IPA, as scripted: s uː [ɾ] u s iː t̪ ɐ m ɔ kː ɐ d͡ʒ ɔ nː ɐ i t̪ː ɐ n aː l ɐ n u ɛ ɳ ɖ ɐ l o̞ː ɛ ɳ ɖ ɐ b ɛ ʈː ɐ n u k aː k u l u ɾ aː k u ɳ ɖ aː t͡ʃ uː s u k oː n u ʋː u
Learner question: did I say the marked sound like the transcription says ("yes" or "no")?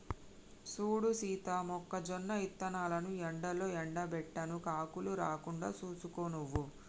no